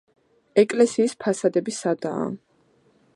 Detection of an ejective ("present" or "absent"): present